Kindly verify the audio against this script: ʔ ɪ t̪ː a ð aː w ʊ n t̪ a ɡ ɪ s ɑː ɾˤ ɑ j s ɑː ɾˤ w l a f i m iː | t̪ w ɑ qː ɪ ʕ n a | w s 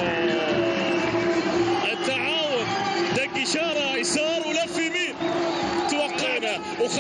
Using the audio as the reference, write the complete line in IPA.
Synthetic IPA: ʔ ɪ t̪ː a ʕ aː w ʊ n d̪ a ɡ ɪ ʃ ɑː ɾˤ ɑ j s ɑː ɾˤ w l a f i m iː | t̪ w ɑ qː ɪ ʕ n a | w x